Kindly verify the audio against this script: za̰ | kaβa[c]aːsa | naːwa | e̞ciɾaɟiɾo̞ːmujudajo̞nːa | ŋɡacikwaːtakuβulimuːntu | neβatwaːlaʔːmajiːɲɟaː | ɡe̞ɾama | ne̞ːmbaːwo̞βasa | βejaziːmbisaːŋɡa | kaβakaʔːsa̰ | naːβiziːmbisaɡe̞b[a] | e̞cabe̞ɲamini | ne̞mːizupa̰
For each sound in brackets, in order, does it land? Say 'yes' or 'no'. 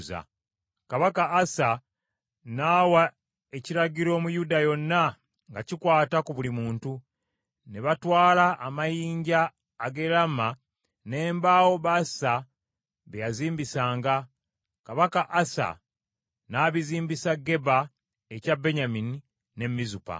no, yes

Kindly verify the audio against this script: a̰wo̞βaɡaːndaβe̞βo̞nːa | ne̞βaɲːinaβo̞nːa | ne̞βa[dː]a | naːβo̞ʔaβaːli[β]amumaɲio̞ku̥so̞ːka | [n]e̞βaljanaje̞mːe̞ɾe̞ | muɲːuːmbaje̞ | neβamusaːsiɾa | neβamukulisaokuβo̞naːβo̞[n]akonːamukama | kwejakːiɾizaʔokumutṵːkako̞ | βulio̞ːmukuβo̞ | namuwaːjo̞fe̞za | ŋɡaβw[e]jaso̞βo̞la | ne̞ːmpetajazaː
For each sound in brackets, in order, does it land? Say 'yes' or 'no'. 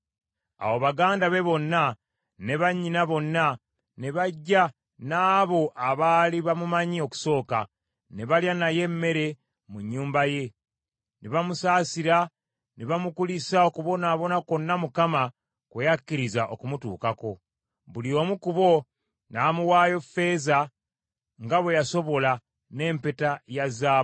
no, yes, yes, yes, yes

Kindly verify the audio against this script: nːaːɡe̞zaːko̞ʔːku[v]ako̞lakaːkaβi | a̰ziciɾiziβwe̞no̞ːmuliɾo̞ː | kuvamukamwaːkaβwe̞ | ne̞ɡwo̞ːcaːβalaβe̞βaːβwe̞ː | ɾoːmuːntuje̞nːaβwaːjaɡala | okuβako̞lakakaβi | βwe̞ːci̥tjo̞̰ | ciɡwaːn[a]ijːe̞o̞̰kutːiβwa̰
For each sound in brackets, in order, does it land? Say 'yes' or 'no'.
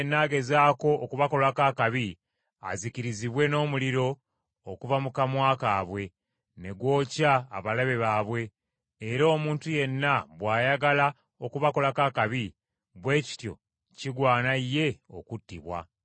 no, yes

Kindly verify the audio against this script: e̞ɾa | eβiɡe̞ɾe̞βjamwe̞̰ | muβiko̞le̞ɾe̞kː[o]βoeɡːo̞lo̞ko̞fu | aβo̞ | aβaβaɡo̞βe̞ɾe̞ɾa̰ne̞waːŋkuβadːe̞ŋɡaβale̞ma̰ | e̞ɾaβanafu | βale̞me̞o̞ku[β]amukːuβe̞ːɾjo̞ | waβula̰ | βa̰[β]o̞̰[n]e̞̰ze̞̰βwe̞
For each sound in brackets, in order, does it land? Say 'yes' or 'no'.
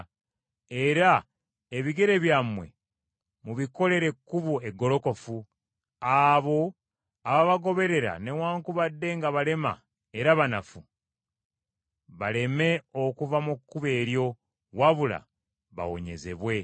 no, no, no, no

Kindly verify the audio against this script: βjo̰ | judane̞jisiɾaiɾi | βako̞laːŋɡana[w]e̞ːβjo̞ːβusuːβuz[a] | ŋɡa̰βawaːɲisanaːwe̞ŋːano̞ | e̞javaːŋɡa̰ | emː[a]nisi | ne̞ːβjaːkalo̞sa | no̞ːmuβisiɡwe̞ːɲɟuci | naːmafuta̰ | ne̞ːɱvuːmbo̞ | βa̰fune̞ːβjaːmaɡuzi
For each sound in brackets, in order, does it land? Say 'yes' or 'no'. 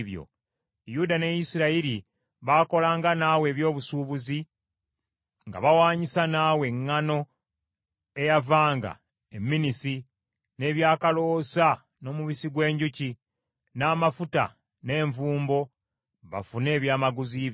yes, no, no

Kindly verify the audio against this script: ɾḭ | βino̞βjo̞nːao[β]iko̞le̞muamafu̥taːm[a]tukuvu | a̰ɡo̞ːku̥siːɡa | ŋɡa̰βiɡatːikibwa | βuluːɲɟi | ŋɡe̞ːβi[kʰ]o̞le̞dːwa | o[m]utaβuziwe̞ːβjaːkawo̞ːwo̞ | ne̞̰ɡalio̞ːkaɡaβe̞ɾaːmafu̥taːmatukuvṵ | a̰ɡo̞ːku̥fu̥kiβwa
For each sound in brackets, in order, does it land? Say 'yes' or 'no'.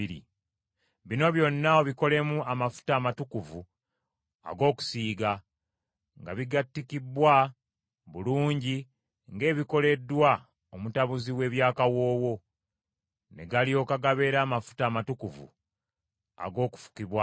yes, yes, no, yes

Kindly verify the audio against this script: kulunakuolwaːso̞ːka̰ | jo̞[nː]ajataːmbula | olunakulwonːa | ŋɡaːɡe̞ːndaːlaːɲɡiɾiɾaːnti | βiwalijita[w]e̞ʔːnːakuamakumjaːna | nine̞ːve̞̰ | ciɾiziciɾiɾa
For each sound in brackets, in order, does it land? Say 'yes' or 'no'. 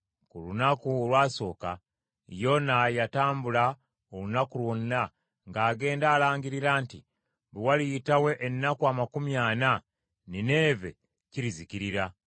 no, yes

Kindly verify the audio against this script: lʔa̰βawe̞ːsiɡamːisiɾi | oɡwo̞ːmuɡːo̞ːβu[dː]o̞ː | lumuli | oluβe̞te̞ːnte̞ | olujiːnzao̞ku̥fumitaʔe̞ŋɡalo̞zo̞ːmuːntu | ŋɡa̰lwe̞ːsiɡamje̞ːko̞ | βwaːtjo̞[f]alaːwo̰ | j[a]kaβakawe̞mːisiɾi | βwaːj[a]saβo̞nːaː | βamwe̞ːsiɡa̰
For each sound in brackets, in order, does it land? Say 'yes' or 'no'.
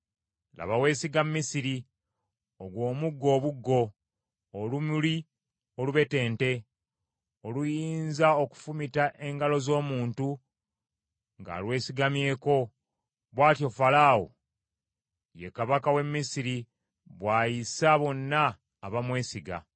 no, yes, no, no

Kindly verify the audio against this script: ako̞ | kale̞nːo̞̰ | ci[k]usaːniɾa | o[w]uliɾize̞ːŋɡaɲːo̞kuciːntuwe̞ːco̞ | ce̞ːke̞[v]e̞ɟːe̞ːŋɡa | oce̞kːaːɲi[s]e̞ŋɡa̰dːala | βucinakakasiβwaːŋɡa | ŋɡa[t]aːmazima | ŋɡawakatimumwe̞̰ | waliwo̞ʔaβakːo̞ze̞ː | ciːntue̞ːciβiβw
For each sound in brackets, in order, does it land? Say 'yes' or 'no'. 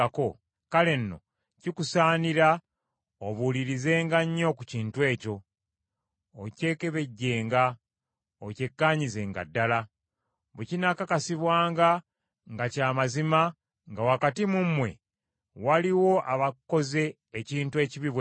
yes, no, no, no, no

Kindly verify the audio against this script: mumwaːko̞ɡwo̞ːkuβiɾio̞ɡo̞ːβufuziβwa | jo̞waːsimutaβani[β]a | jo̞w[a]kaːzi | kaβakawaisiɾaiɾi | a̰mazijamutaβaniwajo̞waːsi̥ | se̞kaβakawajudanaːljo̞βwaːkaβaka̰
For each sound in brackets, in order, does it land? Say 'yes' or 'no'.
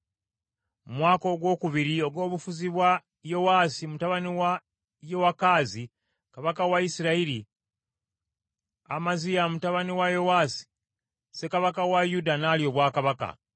no, yes

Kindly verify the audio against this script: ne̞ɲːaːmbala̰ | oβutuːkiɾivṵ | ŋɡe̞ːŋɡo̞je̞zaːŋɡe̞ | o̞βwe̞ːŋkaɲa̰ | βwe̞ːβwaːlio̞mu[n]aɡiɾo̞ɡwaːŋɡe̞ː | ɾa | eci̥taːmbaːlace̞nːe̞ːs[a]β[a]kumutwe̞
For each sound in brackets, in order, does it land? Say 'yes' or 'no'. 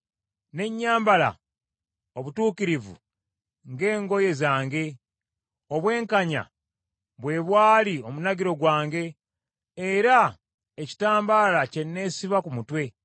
yes, no, yes

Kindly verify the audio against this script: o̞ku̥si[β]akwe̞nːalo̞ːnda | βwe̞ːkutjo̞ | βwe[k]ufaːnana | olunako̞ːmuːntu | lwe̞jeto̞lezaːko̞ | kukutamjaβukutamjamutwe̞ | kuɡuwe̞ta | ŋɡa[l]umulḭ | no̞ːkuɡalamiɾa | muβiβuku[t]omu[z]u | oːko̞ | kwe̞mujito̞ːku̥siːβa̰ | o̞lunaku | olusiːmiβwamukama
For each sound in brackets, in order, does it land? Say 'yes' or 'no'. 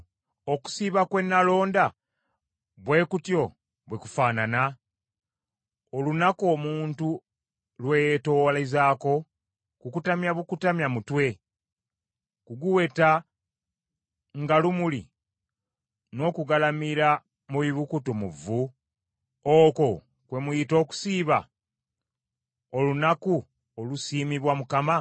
yes, yes, yes, yes, no

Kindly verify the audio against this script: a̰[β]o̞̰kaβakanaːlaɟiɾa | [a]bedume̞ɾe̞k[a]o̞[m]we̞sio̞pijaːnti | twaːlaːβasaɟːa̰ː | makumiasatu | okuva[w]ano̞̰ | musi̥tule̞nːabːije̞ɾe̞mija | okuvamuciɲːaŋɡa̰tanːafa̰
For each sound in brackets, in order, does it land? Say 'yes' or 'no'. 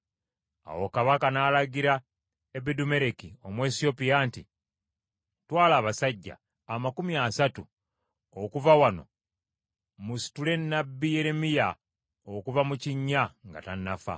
no, no, no, yes, yes

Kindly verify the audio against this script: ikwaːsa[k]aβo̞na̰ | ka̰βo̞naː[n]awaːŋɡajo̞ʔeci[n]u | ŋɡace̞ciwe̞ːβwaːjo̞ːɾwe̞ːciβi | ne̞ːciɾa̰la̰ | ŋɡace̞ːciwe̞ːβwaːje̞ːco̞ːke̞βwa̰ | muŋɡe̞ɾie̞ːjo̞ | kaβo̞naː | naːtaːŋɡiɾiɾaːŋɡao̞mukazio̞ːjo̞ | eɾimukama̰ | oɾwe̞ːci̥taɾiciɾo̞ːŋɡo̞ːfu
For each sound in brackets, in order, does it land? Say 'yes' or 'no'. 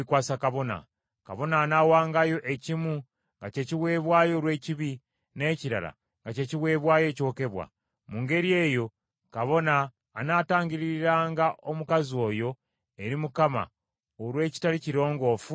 yes, yes, no

